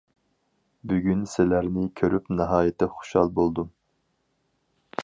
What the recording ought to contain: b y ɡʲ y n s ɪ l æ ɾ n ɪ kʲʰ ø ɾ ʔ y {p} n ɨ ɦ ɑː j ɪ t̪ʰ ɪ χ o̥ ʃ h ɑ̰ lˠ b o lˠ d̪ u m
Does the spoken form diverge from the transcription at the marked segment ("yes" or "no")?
no